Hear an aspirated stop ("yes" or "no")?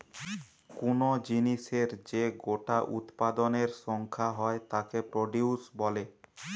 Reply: yes